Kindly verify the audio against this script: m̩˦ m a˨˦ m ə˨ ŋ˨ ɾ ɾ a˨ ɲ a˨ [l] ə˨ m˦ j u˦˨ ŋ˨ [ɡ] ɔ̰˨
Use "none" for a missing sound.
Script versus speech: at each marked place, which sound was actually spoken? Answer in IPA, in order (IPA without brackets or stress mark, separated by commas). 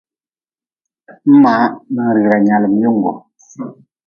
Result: l, ɡ